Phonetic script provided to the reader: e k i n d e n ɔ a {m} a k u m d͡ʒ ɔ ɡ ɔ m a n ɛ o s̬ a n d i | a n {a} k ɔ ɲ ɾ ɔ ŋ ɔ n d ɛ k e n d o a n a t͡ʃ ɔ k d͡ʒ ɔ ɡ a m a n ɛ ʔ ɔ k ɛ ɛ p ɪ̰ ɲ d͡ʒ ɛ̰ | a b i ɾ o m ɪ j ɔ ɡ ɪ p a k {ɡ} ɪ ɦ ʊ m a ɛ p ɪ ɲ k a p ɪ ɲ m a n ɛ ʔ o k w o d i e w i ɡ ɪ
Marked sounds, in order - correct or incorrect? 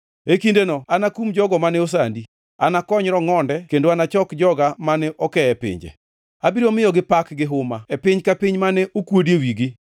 incorrect: n, correct, correct

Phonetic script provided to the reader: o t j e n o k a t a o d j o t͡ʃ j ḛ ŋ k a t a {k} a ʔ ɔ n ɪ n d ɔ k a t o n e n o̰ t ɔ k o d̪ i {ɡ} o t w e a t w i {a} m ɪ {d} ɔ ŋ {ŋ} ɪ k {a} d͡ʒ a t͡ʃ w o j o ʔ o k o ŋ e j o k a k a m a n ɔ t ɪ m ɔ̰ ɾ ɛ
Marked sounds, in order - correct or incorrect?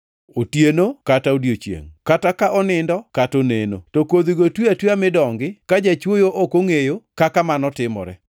correct, correct, correct, correct, incorrect: ɡ, correct

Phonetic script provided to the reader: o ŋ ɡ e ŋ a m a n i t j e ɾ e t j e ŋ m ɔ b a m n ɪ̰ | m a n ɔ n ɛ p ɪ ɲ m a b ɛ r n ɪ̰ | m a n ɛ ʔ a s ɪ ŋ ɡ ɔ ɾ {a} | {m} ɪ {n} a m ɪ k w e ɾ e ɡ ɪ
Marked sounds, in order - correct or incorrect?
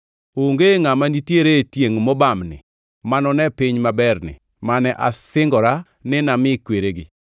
correct, incorrect: n, correct

